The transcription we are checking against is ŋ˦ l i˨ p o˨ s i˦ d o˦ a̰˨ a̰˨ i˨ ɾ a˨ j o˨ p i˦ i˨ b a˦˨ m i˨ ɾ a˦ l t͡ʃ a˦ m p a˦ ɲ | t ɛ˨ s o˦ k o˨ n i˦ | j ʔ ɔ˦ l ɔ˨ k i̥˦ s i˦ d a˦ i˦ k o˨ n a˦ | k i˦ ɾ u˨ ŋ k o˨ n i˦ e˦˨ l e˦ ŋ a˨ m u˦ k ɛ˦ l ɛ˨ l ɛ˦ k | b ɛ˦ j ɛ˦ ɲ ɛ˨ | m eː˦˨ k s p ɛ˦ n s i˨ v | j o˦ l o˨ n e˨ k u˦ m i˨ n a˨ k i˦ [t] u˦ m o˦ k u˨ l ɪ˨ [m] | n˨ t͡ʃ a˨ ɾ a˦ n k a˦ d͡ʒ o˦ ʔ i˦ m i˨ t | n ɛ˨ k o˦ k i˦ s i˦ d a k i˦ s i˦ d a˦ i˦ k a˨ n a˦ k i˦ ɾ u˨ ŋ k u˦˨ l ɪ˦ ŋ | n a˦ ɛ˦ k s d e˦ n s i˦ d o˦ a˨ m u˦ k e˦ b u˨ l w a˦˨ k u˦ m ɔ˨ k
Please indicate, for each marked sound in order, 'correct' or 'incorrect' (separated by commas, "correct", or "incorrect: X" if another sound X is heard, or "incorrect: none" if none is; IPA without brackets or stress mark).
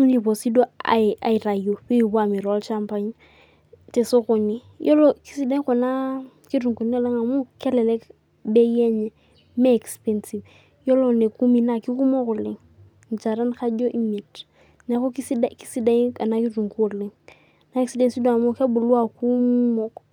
incorrect: k, incorrect: ŋ